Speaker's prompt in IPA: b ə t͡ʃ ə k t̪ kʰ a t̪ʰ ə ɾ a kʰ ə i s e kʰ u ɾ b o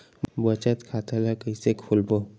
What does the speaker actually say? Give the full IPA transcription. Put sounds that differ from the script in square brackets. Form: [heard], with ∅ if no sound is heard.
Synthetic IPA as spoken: b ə t͡ʃ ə [∅] t̪ kʰ a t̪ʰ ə [l] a [k] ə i s e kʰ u [l] b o